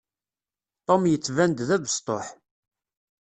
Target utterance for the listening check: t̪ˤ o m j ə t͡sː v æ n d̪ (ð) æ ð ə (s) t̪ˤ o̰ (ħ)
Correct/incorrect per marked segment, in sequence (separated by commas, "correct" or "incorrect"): correct, correct, correct